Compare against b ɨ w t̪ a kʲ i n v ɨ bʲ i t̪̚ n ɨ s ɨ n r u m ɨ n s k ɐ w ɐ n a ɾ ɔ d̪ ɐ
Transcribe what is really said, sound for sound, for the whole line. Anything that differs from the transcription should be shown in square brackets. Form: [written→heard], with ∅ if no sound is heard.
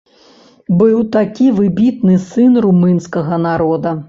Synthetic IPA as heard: b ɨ w t̪ a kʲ i [n→∅] v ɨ bʲ i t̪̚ n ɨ s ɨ n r u m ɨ n s k ɐ [w→ɣ] ɐ n a ɾ ɔ d̪ ɐ